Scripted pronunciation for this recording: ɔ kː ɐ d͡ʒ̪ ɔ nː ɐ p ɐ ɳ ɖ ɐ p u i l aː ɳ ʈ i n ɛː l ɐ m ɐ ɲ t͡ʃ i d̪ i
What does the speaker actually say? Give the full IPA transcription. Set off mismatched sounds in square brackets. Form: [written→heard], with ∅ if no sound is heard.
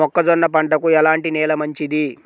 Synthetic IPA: ɔ kː ɐ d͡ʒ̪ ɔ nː ɐ p ɐ ɳ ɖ ɐ [p→k] u [i→ɛ] l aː ɳ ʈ i n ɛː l ɐ m ɐ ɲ t͡ʃ i d̪ i